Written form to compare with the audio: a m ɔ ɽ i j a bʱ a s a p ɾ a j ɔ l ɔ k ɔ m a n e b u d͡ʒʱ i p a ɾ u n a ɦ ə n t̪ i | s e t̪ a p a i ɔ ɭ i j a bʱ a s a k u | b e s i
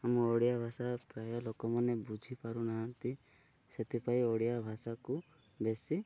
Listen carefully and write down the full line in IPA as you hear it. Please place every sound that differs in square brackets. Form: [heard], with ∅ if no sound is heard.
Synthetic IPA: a m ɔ ɽ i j a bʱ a s a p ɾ a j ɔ l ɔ k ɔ m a n e b u d͡ʒʱ i p a ɾ u n a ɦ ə n t̪ i | s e t̪ [i] p a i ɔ [ɽ] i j a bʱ a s a k u | b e s i

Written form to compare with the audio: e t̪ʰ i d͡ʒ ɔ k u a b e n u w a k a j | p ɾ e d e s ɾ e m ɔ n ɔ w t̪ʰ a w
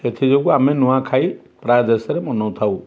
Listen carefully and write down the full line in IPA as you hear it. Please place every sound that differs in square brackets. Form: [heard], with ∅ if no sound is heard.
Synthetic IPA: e t̪ʰ i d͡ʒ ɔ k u a [m] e n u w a [kʰ] a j | p ɾ [a] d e s ɾ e m ɔ n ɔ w t̪ʰ a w

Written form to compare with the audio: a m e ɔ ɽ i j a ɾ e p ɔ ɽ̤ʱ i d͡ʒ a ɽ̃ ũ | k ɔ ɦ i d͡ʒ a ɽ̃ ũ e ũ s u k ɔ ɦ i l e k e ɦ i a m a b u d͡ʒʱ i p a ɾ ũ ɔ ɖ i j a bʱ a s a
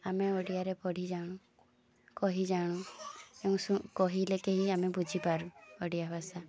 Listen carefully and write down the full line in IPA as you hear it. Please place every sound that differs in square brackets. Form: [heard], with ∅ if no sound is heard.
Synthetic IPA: a m e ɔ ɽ i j a ɾ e p ɔ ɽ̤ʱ i d͡ʒ a ɽ̃ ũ | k ɔ ɦ i d͡ʒ a ɽ̃ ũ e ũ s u k ɔ ɦ i l e k e ɦ i a m [e] b u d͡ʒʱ i p a ɾ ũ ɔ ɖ i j a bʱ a s a

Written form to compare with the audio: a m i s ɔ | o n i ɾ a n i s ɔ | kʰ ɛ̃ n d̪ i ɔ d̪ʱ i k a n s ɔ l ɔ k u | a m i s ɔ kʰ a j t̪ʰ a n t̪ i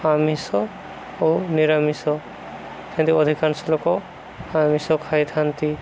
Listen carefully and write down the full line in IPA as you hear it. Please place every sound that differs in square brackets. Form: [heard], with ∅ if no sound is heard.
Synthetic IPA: a m i s ɔ | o n i ɾ a [m] i s ɔ | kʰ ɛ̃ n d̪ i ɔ d̪ʱ i k a n s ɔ l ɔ k [ɔ] | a m i s ɔ kʰ a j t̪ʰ a n t̪ i

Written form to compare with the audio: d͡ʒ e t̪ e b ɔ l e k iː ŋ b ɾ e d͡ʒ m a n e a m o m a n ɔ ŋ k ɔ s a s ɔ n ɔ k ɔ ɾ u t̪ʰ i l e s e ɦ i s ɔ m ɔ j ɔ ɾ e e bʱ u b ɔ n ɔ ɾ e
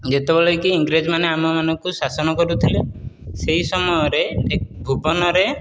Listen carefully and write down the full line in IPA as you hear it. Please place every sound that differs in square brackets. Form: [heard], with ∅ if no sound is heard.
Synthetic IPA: d͡ʒ e t̪ e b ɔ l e k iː ŋ [ɡ] ɾ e d͡ʒ m a n e a m [ɔ] m a n ɔ ŋ k [u] s a s ɔ n ɔ k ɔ ɾ u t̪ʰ i l e s e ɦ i s ɔ m ɔ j ɔ ɾ e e bʱ u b ɔ n ɔ ɾ e

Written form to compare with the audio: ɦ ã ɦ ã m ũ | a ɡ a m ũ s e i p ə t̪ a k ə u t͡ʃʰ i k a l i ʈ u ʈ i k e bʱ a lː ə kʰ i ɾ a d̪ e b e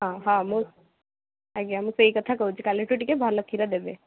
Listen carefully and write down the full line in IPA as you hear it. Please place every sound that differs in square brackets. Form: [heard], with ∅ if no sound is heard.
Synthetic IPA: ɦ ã ɦ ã m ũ | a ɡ a m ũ s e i [k] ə [t̪ʰ] a k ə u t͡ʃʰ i k a l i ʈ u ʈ i k e bʱ a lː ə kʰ i ɾ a d̪ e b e

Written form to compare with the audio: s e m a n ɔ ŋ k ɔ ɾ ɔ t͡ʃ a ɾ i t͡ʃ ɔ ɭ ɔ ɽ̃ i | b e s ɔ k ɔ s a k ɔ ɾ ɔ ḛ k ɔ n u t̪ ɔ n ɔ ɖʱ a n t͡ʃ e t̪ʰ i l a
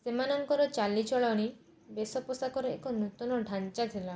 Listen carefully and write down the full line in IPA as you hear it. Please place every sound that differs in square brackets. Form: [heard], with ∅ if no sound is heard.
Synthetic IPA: s e m a n ɔ ŋ k ɔ ɾ ɔ t͡ʃ a [l] i t͡ʃ ɔ ɭ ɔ ɽ̃ i | b e s ɔ [p] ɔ s a k ɔ ɾ ɔ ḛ k ɔ n u t̪ ɔ n ɔ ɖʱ a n t͡ʃ [a] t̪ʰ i l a

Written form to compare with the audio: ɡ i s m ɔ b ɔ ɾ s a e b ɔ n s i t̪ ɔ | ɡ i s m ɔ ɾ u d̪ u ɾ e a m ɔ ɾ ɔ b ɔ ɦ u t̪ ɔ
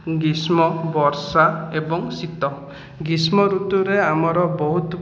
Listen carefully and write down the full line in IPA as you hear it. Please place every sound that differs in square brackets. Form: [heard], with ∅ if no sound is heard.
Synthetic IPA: ɡ i s m ɔ b ɔ ɾ s a e b ɔ [ŋ] s i t̪ ɔ | ɡ i s m ɔ ɾ u [t̪] u ɾ e a m ɔ ɾ ɔ b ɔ ɦ u t̪ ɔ

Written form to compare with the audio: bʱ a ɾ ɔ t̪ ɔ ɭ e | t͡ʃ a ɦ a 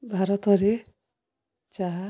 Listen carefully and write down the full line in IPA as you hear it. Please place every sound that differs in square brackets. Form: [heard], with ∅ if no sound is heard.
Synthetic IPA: bʱ a ɾ ɔ t̪ ɔ [ɾ] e | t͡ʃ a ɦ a

